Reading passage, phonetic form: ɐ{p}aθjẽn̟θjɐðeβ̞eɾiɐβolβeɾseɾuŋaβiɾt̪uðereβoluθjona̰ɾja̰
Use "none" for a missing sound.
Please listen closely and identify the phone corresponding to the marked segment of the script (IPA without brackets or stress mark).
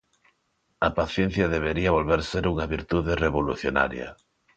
p